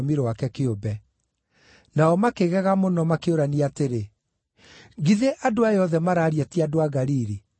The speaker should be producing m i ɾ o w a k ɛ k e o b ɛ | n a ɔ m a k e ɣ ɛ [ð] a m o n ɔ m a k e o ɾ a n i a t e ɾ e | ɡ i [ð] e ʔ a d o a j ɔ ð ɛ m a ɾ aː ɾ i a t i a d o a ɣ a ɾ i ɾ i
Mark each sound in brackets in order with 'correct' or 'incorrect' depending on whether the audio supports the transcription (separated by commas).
incorrect, correct